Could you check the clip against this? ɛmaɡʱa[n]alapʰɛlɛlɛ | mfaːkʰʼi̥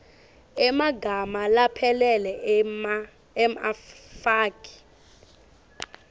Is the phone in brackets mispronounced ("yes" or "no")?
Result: yes